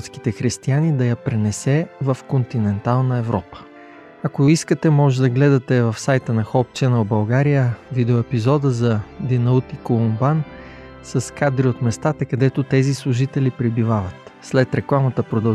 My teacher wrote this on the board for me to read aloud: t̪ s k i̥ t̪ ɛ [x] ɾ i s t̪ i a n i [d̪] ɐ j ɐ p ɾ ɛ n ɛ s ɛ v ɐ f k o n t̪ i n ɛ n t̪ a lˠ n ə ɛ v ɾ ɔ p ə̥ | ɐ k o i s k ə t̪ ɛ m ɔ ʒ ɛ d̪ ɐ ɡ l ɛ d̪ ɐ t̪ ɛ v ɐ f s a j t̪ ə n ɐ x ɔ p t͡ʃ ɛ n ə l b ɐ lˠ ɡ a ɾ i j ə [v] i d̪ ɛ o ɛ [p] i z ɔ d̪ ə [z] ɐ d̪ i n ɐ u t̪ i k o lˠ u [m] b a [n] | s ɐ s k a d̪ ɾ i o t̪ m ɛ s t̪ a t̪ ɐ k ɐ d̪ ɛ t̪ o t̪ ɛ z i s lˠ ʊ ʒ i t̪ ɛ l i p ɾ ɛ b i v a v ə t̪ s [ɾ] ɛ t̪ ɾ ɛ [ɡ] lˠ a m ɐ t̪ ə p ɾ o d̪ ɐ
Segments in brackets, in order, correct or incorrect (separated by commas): correct, correct, correct, correct, correct, correct, correct, incorrect, incorrect